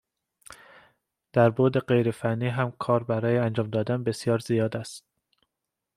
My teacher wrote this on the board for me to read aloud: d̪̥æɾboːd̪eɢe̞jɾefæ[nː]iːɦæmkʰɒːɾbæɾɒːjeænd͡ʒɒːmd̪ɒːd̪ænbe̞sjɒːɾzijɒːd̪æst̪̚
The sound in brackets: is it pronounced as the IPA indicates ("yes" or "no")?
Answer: yes